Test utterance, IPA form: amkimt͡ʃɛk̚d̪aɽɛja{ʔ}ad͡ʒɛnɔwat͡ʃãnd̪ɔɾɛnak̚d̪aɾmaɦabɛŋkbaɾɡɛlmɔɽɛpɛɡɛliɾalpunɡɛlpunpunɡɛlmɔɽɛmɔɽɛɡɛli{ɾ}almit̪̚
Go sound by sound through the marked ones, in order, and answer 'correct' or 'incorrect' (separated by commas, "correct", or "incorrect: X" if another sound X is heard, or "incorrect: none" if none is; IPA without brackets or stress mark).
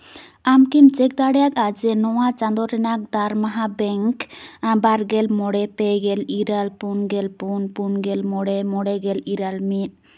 incorrect: k, correct